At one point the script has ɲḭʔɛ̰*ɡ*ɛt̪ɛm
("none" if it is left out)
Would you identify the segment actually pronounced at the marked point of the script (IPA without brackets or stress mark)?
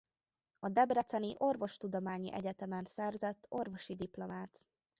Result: ɟ